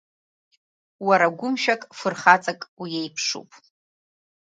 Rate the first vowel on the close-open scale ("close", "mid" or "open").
open